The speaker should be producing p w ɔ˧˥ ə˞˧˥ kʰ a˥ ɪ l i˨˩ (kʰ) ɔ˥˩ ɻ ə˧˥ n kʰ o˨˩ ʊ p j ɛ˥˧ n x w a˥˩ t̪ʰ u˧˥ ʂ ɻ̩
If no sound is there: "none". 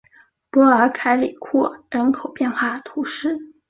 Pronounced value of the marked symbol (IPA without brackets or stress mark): kʰ